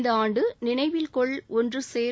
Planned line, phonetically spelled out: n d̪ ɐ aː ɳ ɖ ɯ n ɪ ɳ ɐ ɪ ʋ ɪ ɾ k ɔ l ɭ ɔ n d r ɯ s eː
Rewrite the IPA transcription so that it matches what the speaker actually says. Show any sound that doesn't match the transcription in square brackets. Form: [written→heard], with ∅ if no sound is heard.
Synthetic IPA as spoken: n d̪ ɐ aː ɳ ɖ ɯ n ɪ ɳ ɐ ɪ ʋ ɪ [ɾ→l] k ɔ [l→∅] ɭ ɔ n d r ɯ s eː